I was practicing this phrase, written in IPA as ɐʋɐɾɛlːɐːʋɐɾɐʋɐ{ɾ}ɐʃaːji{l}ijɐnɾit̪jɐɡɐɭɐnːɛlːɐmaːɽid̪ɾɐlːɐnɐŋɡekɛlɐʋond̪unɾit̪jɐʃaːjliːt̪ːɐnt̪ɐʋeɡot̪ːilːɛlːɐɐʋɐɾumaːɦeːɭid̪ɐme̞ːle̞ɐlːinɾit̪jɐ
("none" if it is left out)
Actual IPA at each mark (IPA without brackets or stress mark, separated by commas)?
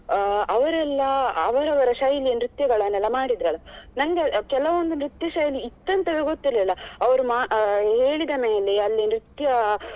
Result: ɾ, l